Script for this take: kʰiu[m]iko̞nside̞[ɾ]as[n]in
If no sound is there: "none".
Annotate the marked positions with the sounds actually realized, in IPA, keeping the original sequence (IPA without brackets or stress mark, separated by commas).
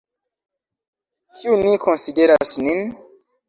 n, ɾ, n